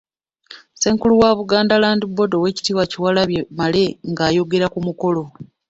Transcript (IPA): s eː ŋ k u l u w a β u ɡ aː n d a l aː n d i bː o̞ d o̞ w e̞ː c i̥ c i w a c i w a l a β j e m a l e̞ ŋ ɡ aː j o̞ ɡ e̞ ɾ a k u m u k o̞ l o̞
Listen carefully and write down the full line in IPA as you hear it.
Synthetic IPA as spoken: s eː ŋ k u l u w a β u ɡ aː n d a l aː n d i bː o̞ d o̞ w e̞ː c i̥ t i w a c i w a l a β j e m a l e̞ ŋ ɡ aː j o̞ ɡ e̞ ɾ a k u m u k o̞ l o̞